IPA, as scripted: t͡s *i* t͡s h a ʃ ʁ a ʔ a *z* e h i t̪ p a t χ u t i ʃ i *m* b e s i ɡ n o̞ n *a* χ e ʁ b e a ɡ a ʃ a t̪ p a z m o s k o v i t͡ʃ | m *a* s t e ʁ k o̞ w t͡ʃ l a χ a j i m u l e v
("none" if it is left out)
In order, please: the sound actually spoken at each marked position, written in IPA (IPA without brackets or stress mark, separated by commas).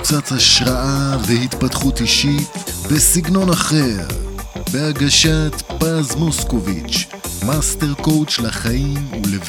a, v, none, a, a